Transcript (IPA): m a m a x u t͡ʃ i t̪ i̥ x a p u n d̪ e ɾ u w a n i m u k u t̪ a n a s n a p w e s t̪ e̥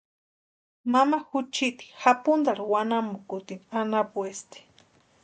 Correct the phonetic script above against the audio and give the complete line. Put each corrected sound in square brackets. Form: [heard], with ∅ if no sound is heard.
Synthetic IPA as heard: m a m a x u t͡ʃ i t̪ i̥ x a p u n d̪ [a] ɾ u w a n [a] m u k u t̪ [i] n a [∅] n a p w e s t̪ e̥